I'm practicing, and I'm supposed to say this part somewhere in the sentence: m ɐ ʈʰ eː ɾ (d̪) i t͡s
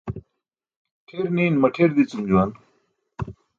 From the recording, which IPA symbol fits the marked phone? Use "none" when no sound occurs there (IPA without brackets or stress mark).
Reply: d̪